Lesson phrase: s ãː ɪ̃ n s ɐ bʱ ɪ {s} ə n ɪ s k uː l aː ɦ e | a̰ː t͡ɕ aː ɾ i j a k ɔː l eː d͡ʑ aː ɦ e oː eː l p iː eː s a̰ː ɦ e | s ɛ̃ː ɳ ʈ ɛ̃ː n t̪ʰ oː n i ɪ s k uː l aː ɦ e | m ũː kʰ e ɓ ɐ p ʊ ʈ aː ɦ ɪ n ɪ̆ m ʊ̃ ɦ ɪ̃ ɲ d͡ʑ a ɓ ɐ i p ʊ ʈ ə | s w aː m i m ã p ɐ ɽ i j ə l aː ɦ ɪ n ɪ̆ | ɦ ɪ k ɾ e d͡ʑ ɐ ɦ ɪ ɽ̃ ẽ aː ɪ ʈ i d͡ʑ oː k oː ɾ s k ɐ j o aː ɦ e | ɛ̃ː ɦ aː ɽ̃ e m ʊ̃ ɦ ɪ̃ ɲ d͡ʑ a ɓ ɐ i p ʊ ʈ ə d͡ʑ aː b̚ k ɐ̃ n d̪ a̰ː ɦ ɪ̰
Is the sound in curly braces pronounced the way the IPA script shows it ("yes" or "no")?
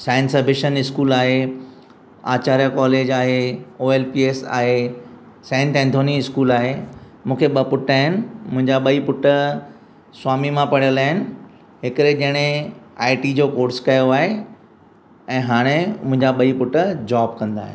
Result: no